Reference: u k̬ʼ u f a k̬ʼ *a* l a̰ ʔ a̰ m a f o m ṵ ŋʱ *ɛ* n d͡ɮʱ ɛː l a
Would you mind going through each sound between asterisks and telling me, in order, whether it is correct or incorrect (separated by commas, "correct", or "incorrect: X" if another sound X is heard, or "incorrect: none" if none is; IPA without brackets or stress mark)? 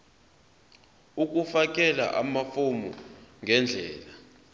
incorrect: ɛ, correct